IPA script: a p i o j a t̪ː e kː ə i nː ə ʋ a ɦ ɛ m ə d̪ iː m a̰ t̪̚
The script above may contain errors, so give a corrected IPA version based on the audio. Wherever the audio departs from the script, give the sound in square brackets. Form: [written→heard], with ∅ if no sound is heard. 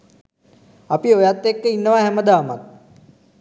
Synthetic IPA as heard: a p i o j a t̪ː e kː ə i nː ə ʋ a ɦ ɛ m ə d̪ [iː→aː] m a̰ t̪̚